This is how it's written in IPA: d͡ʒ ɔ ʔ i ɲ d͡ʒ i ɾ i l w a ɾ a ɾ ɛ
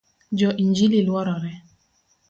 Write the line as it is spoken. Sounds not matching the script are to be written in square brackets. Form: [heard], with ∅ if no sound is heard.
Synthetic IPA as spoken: d͡ʒ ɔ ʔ i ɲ d͡ʒ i [l] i l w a ɾ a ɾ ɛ